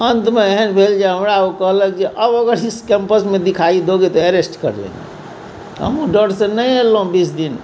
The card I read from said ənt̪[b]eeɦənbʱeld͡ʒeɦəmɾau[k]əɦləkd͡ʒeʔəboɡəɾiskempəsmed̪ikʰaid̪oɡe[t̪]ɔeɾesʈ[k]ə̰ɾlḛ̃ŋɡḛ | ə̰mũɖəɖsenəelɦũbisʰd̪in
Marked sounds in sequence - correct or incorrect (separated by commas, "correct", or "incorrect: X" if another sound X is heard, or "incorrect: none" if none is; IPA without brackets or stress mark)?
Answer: incorrect: m, correct, correct, correct